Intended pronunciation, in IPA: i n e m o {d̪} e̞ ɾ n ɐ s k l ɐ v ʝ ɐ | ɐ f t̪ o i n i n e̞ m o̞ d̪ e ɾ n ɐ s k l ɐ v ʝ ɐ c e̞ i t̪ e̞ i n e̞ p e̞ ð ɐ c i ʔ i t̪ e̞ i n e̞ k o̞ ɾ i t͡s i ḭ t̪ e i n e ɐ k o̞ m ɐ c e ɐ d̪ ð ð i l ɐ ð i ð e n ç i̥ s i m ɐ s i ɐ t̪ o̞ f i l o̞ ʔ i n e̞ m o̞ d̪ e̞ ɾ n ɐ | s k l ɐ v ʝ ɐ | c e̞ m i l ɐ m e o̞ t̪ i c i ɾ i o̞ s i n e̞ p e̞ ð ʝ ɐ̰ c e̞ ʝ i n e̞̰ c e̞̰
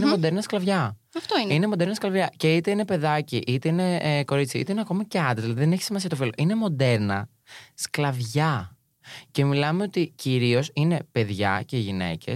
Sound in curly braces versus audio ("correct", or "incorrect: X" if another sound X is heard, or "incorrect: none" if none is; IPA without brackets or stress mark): correct